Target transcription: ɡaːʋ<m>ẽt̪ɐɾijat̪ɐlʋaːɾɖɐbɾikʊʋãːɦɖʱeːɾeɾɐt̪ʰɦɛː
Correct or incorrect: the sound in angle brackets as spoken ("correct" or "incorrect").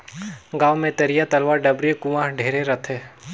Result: correct